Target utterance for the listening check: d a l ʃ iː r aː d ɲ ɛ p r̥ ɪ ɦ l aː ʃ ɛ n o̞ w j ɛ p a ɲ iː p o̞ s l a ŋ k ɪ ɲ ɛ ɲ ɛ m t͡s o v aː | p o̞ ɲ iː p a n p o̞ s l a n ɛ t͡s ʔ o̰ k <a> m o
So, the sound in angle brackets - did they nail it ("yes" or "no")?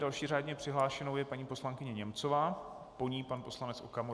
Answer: yes